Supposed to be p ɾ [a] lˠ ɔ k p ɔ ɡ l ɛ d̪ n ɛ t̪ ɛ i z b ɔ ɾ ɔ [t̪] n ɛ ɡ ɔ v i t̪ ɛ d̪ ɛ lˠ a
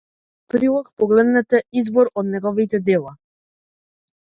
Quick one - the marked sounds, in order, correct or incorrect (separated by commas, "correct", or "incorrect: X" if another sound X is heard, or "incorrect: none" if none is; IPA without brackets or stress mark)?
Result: incorrect: i, incorrect: d̪